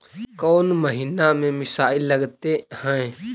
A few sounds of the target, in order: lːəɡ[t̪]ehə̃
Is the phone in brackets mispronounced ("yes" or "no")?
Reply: no